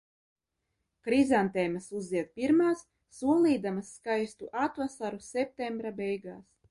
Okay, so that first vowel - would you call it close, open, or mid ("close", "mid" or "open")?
close